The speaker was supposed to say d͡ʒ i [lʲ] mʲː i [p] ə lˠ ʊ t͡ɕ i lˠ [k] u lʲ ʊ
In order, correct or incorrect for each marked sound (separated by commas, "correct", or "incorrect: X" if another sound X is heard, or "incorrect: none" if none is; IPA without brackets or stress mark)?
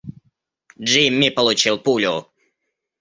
incorrect: none, correct, incorrect: p